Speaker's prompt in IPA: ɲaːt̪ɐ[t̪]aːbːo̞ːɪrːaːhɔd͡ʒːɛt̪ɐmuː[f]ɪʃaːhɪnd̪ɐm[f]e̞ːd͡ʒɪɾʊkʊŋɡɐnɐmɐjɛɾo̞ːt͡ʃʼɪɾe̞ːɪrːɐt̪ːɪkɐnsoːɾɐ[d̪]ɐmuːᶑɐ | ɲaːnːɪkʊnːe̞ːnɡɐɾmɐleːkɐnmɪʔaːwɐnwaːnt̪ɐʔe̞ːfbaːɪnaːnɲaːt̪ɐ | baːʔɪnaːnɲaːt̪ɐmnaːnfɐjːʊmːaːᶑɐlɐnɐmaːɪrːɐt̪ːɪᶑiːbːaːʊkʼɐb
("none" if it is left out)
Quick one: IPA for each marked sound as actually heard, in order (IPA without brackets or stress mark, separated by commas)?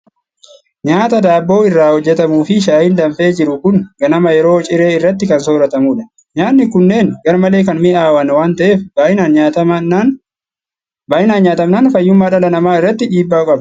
d̪, f, f, t̪